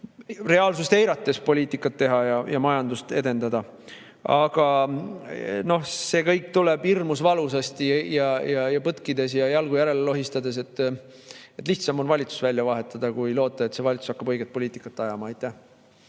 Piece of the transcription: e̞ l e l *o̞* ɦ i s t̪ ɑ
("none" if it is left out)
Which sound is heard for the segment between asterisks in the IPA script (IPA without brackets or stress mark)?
o̞